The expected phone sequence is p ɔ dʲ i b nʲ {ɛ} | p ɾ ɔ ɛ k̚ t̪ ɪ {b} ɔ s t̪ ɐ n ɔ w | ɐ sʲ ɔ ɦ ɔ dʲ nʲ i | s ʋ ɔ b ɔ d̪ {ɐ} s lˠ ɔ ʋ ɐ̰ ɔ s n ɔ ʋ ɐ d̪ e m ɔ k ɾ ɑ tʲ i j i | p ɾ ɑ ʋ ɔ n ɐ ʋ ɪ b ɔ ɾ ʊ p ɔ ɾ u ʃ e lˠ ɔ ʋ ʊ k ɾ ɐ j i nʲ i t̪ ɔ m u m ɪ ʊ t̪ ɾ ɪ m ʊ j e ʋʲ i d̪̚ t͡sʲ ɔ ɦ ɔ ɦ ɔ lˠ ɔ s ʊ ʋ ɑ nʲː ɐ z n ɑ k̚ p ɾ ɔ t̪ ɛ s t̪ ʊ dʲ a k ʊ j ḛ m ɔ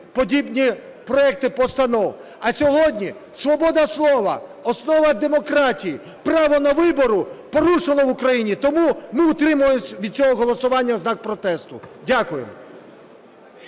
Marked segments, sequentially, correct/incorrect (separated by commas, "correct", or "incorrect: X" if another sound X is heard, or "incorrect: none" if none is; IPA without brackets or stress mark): incorrect: i, incorrect: p, correct